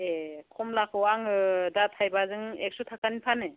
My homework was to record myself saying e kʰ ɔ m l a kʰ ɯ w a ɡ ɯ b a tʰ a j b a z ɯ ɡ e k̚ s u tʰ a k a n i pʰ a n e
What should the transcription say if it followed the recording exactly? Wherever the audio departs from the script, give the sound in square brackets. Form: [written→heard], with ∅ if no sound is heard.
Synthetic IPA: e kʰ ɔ m l a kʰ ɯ w a [ɡ→ŋ] ɯ [b→d] a tʰ a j b a z ɯ [ɡ→ŋ] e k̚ s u tʰ a k a n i pʰ a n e